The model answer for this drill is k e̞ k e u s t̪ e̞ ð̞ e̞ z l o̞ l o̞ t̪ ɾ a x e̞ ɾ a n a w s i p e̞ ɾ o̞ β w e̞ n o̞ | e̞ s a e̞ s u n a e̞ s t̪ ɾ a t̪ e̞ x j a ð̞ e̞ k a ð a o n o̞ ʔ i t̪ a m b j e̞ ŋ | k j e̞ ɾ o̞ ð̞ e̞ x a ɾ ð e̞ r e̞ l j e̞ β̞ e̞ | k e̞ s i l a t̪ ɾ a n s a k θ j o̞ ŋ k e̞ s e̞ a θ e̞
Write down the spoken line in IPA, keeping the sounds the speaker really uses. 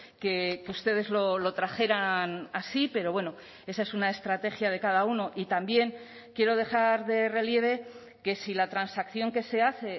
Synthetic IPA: k e̞ k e u s t̪ e̞ ð̞ e̞ z l o̞ l o̞ t̪ ɾ a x e̞ ɾ a n a s i p e̞ ɾ o̞ β w e̞ n o̞ | e̞ s a e̞ s u n a e̞ s t̪ ɾ a t̪ e̞ x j a ð̞ e̞ k a ð a u n o̞ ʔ i t̪ a m b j e̞ ŋ | k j e̞ ɾ o̞ ð̞ e̞ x a ɾ ð e̞ r e̞ l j e̞ β̞ e̞ | k e̞ s i l a t̪ ɾ a n s a k θ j o̞ ŋ k e̞ s e̞ a θ e̞